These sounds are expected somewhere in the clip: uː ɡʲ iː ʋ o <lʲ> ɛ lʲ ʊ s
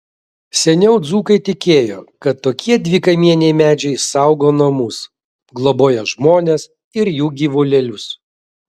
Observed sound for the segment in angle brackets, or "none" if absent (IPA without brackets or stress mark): lʲ